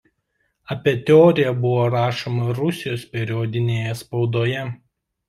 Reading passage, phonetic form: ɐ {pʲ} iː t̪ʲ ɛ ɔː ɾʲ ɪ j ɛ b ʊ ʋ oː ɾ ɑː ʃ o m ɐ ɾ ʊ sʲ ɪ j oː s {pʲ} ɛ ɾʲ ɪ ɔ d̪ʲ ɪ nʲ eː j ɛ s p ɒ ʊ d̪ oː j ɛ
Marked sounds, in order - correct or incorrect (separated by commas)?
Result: correct, correct